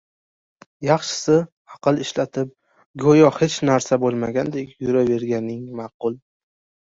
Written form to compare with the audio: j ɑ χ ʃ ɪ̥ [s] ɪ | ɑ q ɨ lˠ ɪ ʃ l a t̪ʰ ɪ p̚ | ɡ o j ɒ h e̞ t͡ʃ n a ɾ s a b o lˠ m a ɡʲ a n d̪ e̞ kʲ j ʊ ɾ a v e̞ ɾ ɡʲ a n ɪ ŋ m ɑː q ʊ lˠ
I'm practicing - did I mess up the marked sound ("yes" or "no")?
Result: no